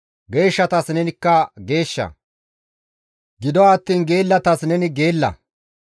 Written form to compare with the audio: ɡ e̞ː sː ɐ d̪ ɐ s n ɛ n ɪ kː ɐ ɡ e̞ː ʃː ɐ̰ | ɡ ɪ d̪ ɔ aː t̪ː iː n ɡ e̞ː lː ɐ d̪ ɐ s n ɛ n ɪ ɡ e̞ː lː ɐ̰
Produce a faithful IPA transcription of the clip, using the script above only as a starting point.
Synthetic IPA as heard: ɡ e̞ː ʃː ɐ t̪ ɐ s n ɛ n ɪ kː ɐ ɡ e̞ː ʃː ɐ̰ | ɡ ɪ d̪ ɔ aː t̪ː iː n ɡ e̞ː lː ɐ t̪ ɐ s n ɛ n ɪ ɡ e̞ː lː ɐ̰